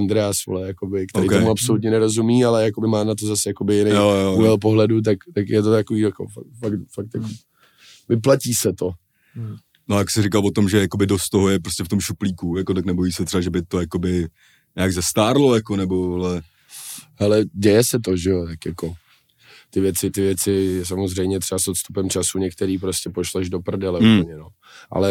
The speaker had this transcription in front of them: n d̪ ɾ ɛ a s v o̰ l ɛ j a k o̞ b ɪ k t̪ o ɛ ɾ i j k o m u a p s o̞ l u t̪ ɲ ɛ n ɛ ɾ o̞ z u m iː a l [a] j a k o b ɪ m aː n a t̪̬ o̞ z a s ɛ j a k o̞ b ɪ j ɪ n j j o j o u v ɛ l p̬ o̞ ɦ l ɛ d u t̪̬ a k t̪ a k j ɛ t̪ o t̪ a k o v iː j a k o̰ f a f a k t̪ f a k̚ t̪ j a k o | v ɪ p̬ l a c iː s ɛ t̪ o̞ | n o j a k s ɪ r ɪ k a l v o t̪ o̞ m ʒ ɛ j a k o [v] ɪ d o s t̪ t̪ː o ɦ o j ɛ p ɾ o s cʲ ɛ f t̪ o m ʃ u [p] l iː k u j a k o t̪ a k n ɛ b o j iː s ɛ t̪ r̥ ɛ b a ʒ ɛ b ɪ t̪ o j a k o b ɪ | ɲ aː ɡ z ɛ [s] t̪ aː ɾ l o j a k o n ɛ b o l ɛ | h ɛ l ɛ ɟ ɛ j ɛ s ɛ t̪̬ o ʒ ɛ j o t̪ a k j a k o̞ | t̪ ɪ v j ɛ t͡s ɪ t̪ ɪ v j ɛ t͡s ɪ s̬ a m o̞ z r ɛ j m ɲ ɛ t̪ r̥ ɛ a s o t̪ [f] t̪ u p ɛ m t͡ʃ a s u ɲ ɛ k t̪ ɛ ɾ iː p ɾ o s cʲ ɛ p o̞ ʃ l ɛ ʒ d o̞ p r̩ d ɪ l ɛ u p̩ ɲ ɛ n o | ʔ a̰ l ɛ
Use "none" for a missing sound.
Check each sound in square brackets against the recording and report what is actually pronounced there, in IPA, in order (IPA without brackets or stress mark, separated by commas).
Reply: ɛ, b, p, s, s